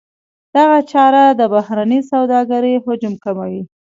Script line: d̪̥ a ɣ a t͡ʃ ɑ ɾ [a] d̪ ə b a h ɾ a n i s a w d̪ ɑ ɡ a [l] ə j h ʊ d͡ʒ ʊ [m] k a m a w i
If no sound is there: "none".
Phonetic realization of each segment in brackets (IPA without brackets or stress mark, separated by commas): a, ɾ, m